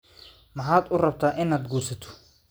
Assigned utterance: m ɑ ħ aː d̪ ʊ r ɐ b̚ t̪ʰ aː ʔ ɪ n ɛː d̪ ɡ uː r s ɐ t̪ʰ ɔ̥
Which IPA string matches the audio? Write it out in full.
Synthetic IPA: m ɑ ħ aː d̪ ʊ r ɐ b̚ t̪ʰ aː ʔ ɪ n aː d̪ ɡ uː r s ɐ t̪ʰ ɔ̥